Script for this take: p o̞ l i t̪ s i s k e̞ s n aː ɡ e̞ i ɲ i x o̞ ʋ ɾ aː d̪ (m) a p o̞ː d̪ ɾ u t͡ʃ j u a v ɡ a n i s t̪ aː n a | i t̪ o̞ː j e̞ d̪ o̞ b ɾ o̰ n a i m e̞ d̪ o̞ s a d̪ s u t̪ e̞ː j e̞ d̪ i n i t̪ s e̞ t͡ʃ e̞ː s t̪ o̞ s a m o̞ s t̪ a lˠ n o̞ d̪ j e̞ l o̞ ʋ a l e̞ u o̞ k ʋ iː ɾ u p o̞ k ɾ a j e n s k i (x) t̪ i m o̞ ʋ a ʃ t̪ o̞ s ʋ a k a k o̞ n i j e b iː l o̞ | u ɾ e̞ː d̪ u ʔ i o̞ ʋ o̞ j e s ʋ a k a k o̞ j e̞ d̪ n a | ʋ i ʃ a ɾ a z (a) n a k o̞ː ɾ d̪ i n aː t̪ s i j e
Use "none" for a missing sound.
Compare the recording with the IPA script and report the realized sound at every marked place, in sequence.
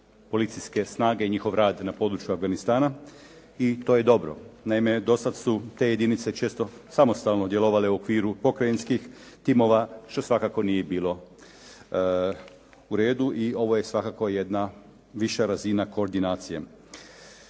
n, x, i

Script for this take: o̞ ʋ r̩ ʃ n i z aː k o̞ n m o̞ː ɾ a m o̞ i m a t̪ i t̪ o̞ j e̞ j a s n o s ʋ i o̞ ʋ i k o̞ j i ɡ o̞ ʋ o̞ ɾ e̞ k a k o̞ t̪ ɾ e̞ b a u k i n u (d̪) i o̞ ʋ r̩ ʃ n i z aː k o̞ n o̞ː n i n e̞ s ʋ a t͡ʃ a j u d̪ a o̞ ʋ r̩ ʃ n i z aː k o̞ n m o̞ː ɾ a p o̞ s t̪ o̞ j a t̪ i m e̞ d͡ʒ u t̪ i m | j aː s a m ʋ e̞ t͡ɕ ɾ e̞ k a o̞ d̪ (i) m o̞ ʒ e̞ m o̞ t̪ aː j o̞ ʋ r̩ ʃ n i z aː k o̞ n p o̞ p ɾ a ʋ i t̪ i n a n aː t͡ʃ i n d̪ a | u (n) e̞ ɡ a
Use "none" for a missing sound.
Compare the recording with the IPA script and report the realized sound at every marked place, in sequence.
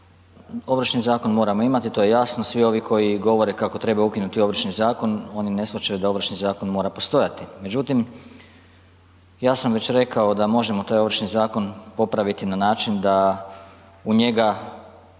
t̪, a, ɲ

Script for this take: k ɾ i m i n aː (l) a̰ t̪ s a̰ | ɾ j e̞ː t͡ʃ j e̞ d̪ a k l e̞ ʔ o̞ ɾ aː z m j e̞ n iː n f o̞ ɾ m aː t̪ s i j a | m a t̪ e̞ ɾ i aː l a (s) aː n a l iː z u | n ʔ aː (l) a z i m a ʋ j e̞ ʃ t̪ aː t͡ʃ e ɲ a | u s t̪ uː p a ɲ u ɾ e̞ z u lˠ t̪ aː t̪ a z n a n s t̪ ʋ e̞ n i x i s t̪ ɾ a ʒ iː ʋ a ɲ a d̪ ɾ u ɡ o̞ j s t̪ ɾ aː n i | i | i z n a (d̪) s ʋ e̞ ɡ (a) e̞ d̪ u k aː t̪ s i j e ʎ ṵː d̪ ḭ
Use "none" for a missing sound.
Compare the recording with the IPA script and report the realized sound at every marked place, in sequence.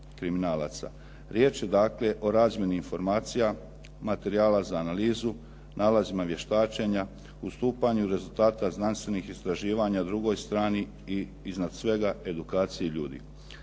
l, z, l, d̪, a

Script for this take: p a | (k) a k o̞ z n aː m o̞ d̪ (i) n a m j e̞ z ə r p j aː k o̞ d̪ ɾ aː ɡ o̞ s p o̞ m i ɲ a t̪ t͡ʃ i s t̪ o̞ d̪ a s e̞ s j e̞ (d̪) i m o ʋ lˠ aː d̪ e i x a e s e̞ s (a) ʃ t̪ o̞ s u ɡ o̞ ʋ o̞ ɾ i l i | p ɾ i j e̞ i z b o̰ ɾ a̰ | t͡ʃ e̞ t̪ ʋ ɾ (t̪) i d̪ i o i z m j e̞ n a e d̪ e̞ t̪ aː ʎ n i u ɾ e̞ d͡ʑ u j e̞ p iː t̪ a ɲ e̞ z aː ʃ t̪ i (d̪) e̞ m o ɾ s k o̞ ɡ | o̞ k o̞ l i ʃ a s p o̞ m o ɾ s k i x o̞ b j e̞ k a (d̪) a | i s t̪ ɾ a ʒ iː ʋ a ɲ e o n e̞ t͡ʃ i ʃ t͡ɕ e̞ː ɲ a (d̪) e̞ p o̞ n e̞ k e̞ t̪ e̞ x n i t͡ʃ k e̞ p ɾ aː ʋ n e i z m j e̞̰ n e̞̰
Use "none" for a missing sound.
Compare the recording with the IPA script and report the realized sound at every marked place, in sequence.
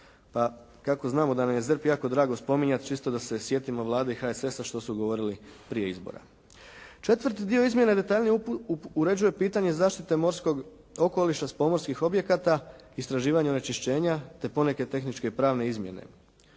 k, a, t̪, a, t̪, t̪, t̪, t̪

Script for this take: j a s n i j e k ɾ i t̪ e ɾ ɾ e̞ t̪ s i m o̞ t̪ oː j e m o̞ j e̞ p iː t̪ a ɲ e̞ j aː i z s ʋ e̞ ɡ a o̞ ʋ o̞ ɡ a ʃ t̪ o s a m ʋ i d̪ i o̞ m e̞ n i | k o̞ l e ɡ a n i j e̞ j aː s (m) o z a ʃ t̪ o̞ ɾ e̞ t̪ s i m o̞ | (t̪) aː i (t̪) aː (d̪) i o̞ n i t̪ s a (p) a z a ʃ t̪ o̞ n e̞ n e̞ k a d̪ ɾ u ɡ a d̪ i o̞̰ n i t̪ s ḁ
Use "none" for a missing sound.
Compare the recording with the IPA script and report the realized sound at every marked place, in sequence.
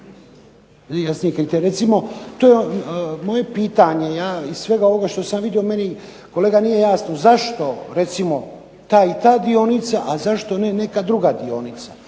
n, t̪, t̪, d̪, ʔ

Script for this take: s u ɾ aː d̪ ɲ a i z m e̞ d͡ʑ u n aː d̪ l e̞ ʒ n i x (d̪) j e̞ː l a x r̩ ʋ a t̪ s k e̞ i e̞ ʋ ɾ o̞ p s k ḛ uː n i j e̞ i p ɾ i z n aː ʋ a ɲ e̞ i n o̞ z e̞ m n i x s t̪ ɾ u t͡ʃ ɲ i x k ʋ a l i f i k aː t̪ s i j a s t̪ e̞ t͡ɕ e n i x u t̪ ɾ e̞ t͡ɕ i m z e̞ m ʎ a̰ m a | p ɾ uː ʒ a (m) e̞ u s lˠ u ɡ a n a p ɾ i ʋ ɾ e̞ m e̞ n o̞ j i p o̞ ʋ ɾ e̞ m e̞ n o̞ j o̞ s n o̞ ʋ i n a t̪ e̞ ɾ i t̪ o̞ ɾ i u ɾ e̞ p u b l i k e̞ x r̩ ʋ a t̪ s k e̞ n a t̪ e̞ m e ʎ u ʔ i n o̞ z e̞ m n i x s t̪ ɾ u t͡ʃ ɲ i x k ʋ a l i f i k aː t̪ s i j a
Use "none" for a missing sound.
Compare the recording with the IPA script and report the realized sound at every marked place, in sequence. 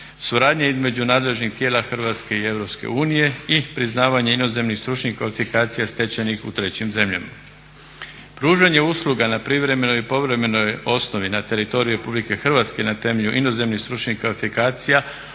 t̪, ɲ

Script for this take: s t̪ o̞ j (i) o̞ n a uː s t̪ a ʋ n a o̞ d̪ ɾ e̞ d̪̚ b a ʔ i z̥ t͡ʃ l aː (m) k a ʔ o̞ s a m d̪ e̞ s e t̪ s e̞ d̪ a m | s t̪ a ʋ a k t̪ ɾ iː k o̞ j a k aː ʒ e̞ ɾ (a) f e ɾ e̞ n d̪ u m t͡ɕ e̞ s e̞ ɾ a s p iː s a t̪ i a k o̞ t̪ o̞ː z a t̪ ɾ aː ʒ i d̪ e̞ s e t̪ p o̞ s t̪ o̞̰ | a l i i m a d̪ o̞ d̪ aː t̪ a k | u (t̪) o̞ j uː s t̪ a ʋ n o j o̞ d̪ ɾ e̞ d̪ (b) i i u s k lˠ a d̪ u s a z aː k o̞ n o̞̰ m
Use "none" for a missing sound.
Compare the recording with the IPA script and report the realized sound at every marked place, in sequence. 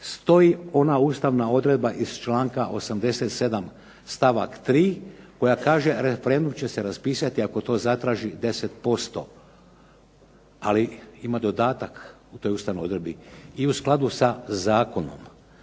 i, ŋ, e, t̪, b

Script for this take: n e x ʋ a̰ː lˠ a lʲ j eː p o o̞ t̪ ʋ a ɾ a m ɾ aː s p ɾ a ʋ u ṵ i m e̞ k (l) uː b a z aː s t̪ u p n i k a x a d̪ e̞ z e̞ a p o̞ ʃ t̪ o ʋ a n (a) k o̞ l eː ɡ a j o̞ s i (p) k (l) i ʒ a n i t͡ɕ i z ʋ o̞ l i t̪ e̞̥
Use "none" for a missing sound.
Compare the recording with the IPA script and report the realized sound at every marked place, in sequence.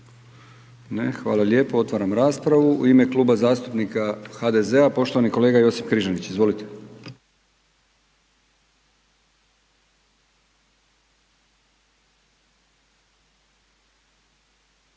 l, i, p, ɾ

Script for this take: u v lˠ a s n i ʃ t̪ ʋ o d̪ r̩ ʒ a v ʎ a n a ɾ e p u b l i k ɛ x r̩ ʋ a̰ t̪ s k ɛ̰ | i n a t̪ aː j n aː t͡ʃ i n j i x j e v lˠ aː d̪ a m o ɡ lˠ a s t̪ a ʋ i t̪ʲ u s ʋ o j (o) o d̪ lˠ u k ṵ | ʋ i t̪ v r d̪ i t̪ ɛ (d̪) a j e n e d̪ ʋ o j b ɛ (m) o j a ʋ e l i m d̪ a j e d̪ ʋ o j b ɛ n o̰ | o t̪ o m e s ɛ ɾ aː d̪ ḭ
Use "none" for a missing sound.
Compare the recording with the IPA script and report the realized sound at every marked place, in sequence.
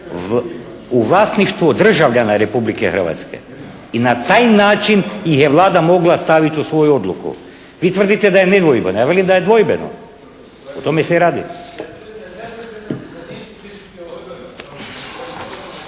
u, d̪, n

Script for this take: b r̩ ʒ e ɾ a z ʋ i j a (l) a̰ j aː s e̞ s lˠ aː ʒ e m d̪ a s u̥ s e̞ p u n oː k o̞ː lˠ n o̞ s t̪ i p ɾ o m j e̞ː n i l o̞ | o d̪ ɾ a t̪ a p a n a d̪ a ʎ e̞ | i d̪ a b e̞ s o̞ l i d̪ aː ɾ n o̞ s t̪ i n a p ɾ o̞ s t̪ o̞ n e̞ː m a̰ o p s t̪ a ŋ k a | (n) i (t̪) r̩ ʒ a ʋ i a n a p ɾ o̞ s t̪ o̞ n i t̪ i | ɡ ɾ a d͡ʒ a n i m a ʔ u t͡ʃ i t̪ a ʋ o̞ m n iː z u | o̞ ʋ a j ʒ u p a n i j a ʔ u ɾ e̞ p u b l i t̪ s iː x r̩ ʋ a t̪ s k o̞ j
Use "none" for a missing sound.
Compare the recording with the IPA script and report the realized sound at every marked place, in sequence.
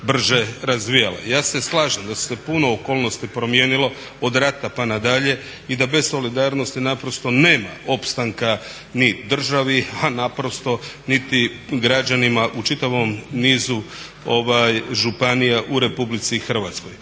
l, n, d̪

